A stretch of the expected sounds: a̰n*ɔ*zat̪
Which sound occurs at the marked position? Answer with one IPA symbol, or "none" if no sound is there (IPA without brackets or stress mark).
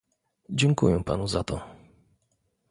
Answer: u